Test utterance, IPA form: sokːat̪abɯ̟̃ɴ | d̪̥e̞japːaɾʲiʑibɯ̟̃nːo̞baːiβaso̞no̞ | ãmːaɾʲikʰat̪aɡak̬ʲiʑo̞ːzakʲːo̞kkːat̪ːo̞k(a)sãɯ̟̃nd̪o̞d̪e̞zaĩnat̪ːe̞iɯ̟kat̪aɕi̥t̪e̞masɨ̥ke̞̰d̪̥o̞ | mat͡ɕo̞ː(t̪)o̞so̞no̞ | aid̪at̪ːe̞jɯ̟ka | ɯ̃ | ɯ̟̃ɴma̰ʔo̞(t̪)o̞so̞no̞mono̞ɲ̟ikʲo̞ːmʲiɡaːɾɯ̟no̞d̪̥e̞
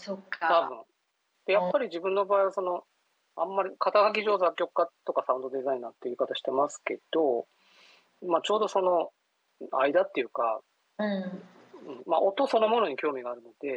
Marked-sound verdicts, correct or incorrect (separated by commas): correct, incorrect, correct